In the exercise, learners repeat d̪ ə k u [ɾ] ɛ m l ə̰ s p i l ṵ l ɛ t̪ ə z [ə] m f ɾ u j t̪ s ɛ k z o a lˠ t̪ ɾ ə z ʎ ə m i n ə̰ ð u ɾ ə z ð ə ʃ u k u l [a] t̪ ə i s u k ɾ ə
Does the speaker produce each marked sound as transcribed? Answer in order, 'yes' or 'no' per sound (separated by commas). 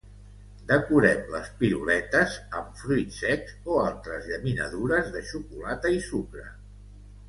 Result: yes, yes, yes